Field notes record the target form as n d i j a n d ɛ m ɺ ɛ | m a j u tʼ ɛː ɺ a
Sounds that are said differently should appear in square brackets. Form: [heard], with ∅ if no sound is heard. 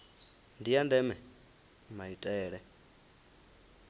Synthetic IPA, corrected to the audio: n d i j a n d ɛ m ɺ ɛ | m a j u tʼ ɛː ɺ [ɛ]